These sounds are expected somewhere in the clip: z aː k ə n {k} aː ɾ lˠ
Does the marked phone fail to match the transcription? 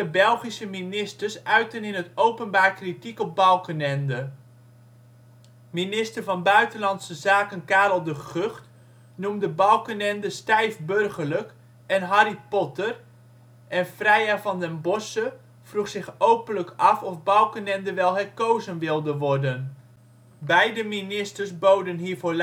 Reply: no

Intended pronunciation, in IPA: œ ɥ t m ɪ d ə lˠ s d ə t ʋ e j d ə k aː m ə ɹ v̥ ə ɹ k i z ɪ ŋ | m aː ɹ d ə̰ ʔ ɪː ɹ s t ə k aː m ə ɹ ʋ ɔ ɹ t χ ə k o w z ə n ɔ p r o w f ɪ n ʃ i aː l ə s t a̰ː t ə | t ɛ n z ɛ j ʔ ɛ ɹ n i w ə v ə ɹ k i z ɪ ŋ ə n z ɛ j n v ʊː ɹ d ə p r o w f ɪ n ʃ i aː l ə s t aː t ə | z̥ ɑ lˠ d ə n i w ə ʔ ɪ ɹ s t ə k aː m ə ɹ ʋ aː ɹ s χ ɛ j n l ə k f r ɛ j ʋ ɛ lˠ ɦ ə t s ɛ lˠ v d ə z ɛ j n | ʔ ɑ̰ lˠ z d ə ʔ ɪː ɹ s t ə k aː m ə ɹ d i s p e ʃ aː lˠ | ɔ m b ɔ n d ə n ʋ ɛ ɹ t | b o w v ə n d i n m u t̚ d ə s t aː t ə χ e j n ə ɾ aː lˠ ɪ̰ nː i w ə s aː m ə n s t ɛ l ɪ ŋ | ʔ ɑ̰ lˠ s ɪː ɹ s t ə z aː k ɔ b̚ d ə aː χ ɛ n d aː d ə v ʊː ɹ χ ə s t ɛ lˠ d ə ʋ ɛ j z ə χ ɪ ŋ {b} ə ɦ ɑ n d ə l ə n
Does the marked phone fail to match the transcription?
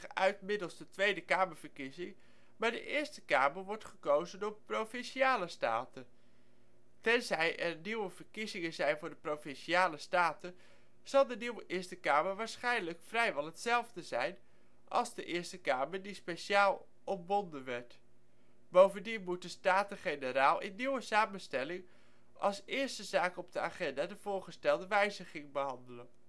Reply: no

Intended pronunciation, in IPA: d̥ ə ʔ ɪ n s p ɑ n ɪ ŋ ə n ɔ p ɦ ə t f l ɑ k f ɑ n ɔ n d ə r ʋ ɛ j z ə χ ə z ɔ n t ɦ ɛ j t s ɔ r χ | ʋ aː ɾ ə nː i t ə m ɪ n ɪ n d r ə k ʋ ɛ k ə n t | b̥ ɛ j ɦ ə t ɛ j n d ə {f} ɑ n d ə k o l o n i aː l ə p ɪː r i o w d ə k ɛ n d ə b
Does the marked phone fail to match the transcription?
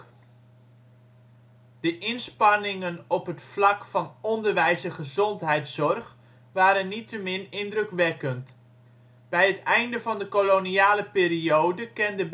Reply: yes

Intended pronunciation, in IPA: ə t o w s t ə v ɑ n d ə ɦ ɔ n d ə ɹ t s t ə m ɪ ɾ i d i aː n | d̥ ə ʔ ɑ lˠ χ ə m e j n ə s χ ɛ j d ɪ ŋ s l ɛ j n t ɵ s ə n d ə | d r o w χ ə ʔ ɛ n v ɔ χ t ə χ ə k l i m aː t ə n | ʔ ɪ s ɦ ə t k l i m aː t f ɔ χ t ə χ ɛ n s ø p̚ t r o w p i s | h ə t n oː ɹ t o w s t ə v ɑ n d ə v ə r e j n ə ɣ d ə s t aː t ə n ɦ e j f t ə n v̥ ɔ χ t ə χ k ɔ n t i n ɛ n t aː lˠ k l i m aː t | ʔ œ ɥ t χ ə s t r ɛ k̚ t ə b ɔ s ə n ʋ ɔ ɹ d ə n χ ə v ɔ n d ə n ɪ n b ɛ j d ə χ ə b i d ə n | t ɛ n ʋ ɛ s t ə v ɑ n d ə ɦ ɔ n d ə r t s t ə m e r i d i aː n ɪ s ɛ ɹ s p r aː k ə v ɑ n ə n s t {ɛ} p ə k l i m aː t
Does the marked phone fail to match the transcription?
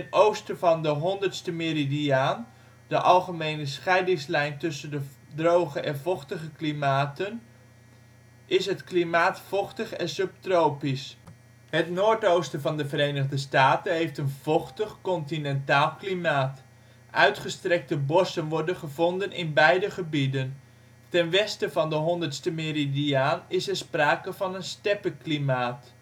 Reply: no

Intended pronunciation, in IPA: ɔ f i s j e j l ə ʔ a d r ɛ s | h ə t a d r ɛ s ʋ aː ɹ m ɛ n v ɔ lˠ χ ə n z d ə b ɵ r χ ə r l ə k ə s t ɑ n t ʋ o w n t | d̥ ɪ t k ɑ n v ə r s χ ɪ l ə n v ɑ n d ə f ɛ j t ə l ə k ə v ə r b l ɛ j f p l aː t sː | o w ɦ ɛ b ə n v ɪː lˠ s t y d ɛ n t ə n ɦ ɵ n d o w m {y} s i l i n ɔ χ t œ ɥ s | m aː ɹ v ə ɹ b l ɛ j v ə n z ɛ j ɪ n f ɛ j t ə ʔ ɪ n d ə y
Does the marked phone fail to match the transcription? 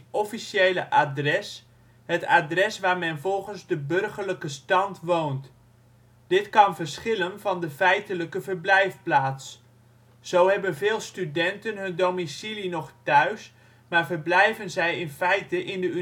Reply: yes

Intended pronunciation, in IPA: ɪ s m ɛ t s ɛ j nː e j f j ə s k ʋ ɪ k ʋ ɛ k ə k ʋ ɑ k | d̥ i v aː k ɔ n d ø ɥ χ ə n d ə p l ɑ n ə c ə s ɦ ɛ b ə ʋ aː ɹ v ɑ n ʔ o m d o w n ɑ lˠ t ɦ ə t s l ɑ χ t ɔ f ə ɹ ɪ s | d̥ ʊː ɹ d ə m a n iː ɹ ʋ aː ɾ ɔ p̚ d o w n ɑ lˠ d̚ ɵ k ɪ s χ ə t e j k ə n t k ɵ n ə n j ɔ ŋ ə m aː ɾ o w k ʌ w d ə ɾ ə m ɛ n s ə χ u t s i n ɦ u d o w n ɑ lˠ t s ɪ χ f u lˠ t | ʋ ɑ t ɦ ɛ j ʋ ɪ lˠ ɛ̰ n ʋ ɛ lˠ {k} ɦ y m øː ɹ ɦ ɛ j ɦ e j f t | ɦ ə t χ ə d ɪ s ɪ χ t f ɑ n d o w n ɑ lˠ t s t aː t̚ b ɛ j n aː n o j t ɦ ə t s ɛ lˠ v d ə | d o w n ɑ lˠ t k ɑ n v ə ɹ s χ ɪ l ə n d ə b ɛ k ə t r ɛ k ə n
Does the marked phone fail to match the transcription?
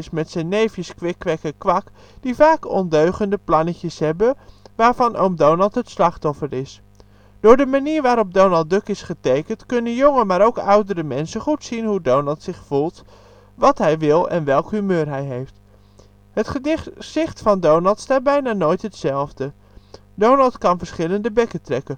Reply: no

